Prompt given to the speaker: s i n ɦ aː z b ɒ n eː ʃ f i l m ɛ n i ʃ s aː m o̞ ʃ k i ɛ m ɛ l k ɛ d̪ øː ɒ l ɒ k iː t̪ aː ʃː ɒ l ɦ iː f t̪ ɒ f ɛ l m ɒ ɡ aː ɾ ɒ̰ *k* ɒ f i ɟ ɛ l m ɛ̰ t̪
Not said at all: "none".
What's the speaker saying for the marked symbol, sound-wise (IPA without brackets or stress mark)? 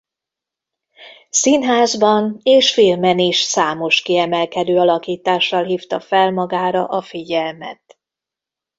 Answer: ʔ